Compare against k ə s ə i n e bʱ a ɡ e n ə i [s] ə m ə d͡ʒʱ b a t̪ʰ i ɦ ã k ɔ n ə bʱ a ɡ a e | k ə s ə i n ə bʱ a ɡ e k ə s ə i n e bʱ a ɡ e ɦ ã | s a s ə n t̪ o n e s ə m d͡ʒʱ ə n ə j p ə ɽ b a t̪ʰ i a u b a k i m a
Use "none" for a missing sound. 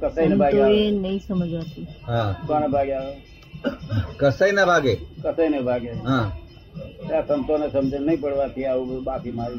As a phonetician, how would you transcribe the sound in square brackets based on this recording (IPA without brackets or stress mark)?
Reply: s